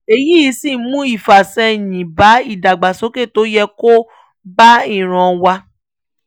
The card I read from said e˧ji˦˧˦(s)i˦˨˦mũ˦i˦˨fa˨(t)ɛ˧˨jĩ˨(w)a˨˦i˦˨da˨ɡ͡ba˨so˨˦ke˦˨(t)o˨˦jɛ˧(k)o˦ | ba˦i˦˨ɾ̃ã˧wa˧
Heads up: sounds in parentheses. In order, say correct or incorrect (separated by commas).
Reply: correct, incorrect, incorrect, correct, correct